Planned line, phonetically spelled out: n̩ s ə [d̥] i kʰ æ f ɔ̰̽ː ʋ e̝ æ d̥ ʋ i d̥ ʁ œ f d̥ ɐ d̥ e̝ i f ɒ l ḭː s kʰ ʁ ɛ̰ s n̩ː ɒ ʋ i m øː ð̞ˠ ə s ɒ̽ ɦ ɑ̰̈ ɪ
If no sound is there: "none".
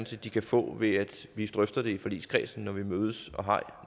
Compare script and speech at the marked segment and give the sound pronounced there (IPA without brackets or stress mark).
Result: d̥